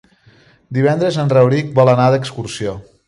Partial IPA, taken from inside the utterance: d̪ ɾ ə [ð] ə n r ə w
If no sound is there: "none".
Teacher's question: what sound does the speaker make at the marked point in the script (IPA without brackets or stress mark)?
z